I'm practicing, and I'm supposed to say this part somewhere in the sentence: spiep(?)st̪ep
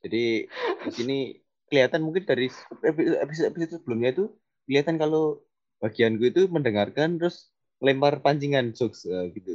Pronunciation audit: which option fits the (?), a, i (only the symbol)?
i